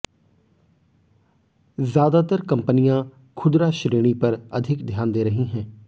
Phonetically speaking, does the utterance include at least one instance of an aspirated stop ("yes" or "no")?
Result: yes